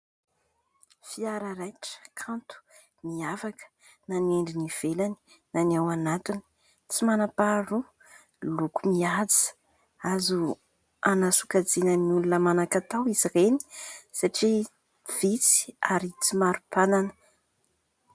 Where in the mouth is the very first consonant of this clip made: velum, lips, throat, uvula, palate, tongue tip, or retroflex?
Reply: lips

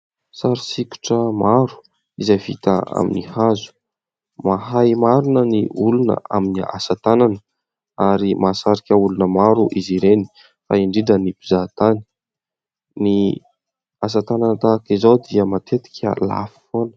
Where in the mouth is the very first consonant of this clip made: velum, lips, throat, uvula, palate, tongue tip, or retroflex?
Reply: tongue tip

